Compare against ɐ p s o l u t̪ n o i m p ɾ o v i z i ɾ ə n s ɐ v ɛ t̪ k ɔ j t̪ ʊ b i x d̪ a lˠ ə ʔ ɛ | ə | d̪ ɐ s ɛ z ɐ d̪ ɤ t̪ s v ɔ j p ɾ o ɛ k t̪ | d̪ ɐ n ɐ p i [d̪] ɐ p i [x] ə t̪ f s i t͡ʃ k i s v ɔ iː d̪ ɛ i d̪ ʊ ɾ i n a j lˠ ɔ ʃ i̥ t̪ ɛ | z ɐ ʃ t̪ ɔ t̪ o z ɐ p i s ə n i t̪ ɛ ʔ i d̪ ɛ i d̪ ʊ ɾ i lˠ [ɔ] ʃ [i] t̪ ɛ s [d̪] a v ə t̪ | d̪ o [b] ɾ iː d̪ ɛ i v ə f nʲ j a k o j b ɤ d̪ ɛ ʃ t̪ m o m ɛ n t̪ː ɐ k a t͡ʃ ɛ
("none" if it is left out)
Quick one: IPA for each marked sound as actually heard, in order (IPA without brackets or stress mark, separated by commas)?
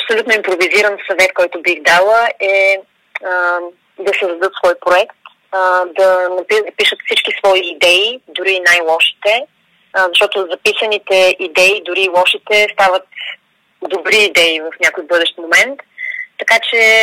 d̪, ʃ, ɔ, i, t̪, b